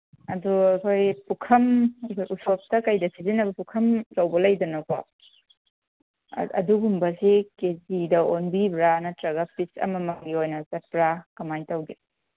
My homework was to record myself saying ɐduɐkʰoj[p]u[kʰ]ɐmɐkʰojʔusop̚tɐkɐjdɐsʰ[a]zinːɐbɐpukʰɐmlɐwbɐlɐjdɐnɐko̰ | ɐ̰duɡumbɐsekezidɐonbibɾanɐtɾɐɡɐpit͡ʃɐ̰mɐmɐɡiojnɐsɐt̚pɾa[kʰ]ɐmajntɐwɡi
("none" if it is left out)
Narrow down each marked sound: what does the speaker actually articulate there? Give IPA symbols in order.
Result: p, kʰ, i, k

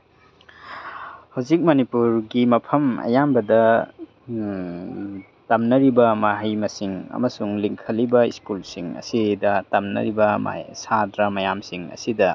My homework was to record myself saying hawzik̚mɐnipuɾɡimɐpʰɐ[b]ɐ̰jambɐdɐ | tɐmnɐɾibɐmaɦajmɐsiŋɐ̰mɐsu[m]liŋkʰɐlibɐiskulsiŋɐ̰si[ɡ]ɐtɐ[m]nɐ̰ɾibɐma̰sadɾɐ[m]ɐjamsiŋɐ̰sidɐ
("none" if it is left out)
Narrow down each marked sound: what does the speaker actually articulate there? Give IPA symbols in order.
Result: m, ŋ, d, m, m

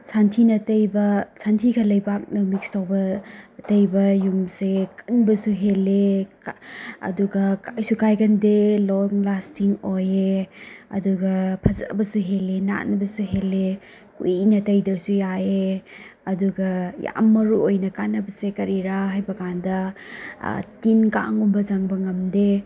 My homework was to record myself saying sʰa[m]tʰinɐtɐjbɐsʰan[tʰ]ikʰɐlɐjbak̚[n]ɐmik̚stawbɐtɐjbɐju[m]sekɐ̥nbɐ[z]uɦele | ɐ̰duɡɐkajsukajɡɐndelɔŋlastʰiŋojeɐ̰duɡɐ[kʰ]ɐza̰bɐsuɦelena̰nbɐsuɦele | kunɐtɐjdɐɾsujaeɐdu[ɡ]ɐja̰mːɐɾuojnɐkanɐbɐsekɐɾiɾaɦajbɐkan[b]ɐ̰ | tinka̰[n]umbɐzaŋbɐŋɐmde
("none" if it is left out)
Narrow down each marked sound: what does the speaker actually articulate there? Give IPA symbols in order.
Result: n, tʰ, n, m, s, pʰ, ɡ, d, ŋ

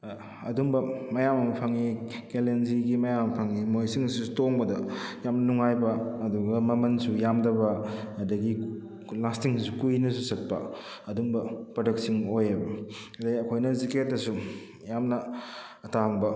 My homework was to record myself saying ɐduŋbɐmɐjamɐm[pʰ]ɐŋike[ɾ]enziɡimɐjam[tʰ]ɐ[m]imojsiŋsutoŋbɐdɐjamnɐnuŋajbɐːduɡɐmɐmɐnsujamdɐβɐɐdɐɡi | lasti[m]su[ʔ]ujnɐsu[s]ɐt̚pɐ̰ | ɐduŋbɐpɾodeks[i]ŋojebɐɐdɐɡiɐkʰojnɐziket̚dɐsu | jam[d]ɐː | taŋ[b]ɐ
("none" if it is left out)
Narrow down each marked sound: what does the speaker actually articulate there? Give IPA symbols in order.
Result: pʰ, l, pʰ, ŋ, ŋ, k, s, i, n, b

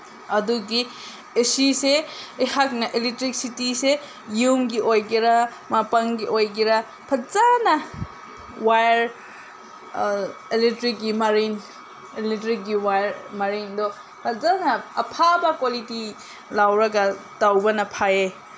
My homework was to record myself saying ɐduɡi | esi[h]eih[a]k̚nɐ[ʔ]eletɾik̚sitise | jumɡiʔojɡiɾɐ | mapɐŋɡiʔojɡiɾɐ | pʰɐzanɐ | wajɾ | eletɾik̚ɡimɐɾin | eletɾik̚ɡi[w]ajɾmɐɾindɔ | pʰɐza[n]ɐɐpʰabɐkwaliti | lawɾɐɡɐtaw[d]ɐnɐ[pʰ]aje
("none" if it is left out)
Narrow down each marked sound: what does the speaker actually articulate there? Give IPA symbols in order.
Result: s, a, ʔ, w, n, b, pʰ

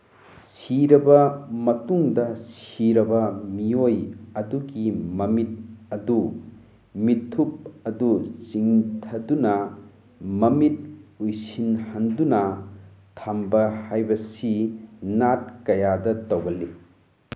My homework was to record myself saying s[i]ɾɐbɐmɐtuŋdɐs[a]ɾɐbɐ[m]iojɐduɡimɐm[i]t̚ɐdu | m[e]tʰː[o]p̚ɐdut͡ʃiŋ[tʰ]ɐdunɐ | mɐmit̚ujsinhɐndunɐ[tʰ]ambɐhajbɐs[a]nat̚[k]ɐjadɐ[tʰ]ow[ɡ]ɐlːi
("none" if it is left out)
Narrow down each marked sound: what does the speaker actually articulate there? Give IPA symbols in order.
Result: i, i, m, i, i, u, tʰ, tʰ, i, k, t, ɡ

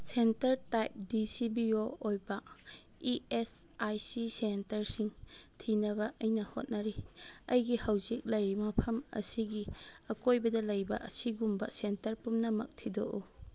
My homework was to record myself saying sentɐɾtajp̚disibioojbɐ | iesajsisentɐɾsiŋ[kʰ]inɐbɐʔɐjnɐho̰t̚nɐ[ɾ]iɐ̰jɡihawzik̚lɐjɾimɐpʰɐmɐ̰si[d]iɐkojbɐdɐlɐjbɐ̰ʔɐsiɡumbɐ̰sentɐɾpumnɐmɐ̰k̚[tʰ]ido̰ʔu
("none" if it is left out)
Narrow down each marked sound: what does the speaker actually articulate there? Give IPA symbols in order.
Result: tʰ, ɾ, ɡ, tʰ

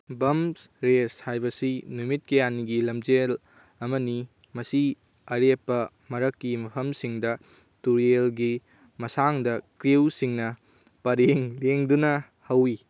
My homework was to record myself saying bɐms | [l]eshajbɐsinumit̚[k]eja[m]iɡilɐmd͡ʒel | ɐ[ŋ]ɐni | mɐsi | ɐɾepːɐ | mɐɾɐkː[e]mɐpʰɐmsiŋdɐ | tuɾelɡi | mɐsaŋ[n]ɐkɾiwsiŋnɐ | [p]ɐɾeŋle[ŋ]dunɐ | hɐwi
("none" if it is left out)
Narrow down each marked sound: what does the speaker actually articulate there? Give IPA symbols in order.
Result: ɾ, k, n, m, i, d, p, ŋ

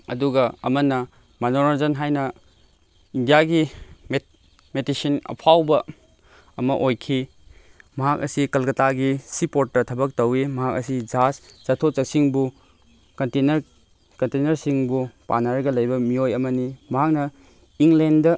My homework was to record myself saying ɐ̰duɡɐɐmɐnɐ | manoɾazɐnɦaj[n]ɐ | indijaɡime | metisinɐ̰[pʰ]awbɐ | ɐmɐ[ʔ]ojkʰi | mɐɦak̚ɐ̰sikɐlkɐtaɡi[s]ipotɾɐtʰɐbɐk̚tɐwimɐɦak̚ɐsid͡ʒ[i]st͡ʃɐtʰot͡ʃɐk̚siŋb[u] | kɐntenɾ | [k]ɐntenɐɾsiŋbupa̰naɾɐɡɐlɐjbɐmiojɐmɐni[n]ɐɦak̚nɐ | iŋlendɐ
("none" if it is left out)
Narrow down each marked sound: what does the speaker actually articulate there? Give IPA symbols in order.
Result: n, pʰ, ʔ, s, a, u, k, m

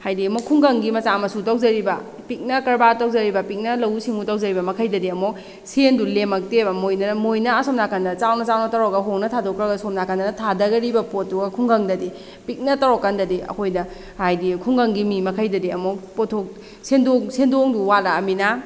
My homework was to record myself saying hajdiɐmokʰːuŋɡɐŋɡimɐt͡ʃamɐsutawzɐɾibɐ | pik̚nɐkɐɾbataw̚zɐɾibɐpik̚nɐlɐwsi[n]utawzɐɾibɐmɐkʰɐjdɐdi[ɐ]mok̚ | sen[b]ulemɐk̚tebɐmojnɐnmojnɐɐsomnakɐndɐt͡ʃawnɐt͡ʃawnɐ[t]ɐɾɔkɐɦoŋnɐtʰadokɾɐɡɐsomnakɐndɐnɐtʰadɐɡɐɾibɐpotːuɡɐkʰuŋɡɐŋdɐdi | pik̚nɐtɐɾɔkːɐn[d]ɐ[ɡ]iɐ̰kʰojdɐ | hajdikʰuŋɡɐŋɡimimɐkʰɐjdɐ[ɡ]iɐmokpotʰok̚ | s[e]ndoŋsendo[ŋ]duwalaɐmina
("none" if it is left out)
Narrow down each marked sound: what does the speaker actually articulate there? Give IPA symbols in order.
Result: ŋ, ɐ, d, t, d, d, d, e, ŋ

